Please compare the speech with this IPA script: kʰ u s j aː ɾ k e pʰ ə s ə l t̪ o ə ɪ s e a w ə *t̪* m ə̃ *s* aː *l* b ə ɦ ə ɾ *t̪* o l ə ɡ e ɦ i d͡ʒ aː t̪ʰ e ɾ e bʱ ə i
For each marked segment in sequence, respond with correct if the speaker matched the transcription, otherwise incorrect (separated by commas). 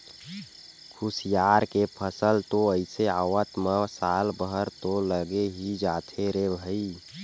correct, correct, correct, correct